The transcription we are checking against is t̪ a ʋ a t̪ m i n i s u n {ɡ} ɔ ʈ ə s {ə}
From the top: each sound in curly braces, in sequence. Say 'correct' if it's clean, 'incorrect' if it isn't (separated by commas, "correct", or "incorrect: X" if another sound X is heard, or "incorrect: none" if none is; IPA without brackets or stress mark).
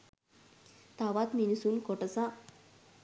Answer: incorrect: k, incorrect: a